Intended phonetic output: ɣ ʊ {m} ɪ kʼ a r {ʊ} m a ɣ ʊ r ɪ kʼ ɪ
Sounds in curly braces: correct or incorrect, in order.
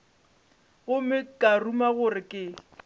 correct, incorrect

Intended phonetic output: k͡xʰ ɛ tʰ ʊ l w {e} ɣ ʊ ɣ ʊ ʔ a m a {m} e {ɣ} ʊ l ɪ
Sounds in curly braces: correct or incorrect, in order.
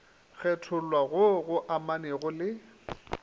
incorrect, incorrect, correct

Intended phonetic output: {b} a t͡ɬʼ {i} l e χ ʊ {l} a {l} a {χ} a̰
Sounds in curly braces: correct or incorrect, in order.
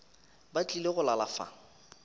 correct, correct, correct, correct, incorrect

